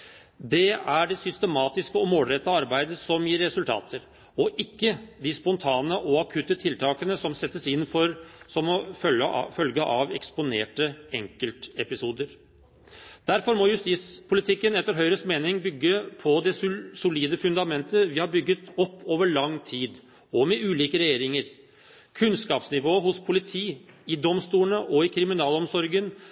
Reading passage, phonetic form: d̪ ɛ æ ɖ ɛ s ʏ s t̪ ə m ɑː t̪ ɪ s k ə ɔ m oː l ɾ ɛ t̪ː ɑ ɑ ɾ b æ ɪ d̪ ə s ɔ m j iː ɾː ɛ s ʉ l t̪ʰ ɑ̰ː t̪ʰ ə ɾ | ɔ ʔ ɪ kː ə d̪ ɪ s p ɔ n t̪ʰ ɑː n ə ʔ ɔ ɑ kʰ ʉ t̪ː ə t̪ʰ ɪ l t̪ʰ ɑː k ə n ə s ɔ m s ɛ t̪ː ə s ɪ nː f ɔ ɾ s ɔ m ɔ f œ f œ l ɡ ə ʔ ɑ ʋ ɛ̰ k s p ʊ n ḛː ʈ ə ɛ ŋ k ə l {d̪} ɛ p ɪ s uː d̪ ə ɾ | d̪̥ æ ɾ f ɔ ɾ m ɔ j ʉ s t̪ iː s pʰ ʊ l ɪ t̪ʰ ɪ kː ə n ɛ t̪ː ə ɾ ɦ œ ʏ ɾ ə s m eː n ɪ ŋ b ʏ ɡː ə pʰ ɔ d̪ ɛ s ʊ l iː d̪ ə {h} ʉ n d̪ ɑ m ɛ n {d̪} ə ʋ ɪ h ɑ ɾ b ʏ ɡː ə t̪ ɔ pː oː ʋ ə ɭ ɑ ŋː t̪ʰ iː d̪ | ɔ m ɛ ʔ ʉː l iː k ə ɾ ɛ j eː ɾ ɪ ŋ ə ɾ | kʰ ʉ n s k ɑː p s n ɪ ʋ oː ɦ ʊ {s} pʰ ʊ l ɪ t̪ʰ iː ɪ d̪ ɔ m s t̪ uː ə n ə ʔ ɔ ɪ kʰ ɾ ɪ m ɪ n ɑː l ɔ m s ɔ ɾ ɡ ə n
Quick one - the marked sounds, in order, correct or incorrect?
incorrect, incorrect, incorrect, correct

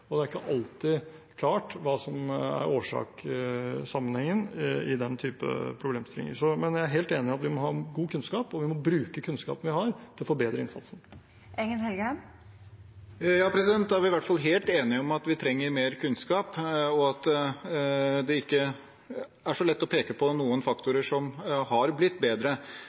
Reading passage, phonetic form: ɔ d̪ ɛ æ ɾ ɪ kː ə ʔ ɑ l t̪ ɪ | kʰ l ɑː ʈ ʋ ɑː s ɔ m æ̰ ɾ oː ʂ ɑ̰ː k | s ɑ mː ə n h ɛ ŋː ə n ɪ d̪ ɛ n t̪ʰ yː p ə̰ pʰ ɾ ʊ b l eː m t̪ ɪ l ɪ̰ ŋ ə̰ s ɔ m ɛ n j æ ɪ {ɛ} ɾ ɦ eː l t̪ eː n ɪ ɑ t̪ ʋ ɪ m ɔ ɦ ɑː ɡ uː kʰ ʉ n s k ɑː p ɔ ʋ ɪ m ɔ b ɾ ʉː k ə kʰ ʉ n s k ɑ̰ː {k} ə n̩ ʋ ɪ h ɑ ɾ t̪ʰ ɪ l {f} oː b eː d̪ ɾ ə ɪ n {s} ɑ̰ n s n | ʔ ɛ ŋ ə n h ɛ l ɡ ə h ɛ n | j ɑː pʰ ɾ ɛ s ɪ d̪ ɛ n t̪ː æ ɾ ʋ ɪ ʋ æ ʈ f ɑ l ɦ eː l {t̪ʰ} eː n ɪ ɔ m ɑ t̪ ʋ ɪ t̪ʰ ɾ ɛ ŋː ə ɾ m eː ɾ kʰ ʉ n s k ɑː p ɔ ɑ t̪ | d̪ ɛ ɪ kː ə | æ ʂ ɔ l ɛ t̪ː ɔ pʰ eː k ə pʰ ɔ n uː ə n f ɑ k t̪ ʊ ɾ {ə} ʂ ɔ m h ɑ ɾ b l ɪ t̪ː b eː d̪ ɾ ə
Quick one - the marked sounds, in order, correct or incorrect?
incorrect, incorrect, correct, correct, incorrect, correct

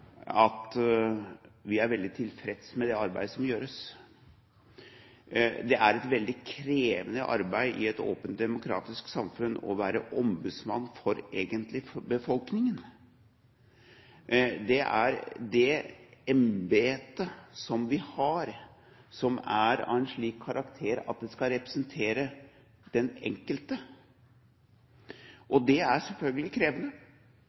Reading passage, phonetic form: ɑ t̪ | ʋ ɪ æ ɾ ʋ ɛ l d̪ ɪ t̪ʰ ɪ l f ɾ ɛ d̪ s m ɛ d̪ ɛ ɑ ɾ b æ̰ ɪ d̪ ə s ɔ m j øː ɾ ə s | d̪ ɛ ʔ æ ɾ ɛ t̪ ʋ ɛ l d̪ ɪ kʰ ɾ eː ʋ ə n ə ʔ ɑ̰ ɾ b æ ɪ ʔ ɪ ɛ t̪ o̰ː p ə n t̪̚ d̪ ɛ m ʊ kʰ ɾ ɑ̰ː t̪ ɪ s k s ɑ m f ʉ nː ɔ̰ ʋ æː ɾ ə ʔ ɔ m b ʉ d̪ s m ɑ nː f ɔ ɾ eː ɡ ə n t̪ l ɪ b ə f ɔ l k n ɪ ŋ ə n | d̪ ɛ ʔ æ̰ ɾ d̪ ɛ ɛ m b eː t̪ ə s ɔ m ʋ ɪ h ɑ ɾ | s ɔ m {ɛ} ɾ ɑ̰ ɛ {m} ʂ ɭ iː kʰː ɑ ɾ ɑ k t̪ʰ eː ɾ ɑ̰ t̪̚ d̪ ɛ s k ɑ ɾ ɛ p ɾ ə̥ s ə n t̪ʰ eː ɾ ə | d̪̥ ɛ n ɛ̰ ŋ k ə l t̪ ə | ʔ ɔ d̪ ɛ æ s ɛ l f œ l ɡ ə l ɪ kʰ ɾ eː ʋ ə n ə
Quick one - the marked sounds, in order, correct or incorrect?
incorrect, incorrect

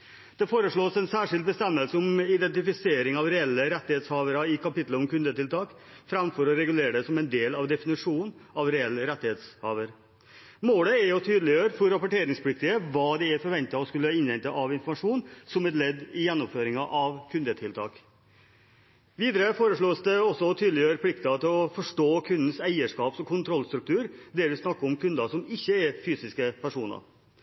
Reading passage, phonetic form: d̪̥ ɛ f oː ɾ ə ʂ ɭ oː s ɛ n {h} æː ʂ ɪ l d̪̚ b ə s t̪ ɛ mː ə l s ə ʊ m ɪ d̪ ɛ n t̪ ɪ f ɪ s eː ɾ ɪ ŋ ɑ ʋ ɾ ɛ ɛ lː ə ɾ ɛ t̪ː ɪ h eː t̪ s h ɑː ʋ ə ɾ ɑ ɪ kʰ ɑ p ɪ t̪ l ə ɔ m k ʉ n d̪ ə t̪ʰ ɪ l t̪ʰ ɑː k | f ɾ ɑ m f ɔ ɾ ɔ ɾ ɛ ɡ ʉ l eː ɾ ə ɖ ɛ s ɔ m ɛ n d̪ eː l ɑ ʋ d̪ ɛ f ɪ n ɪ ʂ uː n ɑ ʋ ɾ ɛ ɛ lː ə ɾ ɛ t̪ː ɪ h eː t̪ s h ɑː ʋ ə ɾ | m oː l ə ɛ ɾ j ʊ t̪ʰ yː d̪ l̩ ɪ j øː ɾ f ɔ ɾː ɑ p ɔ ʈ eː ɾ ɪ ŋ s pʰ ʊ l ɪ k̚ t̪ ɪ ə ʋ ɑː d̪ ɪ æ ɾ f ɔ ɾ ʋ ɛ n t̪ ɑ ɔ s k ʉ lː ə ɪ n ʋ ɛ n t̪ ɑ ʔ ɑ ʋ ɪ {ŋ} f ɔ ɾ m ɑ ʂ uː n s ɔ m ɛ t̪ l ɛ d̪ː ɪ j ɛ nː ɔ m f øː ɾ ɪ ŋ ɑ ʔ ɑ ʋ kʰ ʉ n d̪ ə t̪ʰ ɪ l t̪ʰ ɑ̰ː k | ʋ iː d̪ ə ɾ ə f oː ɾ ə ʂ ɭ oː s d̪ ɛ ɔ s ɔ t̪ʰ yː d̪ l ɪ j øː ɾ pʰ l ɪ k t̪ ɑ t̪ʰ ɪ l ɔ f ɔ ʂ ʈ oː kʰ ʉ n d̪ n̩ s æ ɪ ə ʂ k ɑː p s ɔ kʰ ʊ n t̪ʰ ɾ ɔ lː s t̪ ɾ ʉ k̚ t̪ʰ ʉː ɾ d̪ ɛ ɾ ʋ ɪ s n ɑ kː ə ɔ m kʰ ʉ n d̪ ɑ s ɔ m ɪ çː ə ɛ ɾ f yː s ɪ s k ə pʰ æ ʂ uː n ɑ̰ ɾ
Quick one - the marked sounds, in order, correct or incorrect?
incorrect, incorrect

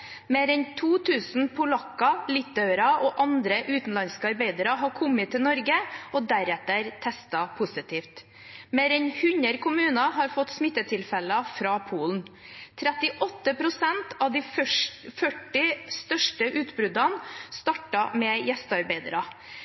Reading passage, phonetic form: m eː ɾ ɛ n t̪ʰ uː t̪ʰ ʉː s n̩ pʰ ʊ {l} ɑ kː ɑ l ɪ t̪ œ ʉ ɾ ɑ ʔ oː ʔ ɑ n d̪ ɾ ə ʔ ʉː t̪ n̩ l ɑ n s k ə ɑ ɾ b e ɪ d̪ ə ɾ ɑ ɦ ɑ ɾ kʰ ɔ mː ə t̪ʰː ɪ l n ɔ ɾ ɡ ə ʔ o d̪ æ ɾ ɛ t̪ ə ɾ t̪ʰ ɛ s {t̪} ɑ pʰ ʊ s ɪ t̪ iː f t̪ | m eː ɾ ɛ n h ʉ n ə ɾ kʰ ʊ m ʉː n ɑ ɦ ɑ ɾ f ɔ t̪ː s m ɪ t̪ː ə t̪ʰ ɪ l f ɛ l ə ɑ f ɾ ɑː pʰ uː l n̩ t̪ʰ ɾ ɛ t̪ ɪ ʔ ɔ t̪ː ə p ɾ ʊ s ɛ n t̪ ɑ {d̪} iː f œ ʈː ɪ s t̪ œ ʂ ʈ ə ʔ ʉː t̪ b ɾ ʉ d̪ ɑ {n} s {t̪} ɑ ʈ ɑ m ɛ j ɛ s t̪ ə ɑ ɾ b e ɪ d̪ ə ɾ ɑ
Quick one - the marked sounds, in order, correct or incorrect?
correct, correct, correct, correct, correct

